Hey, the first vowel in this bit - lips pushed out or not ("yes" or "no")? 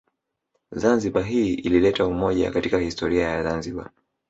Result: no